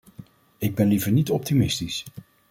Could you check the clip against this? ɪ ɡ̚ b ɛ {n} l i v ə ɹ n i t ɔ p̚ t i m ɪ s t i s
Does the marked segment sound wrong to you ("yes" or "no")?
no